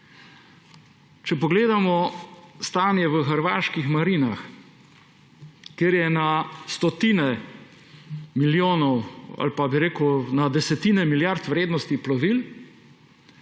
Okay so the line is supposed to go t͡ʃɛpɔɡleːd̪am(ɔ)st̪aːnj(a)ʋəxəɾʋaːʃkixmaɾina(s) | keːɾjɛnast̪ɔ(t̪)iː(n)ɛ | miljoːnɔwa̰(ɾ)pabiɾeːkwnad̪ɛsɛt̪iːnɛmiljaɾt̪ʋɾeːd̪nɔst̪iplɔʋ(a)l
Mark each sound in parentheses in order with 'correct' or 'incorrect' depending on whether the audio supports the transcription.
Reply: correct, incorrect, incorrect, correct, correct, incorrect, incorrect

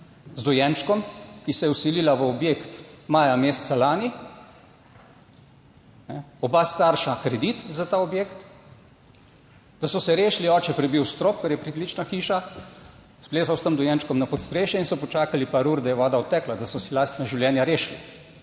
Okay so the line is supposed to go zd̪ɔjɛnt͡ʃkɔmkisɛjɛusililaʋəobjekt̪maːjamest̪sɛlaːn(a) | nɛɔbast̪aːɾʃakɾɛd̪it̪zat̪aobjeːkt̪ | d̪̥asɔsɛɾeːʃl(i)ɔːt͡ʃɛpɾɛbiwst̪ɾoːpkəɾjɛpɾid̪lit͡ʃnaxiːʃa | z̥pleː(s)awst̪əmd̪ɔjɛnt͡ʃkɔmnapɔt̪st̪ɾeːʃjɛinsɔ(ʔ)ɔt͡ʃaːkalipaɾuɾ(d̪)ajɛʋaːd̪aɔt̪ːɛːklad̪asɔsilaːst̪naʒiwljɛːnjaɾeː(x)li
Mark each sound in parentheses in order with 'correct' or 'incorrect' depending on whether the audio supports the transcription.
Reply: incorrect, correct, incorrect, incorrect, correct, incorrect

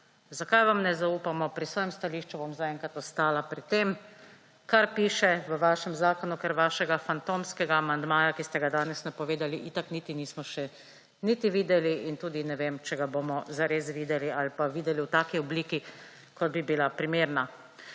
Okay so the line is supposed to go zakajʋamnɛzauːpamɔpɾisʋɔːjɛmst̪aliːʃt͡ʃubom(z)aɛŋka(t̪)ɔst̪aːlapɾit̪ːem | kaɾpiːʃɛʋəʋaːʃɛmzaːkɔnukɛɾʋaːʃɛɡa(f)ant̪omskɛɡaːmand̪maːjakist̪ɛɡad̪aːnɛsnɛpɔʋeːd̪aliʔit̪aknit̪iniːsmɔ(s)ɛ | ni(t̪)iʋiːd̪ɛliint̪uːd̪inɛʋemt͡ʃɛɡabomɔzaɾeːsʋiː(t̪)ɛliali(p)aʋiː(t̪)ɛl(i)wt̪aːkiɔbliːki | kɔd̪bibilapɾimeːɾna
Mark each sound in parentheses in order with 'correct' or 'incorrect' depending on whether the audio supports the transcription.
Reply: correct, correct, correct, incorrect, correct, incorrect, correct, incorrect, correct

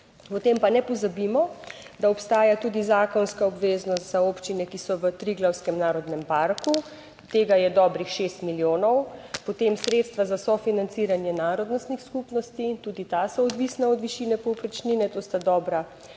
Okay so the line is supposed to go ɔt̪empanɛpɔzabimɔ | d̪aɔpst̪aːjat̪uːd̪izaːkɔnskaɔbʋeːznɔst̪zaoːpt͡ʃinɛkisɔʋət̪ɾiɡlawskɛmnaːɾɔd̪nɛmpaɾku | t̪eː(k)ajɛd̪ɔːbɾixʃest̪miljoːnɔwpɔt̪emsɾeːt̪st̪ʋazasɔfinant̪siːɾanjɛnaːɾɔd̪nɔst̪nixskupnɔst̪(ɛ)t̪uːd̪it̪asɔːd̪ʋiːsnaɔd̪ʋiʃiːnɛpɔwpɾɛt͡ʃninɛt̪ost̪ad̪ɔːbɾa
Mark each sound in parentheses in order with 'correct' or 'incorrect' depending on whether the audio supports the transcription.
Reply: incorrect, incorrect

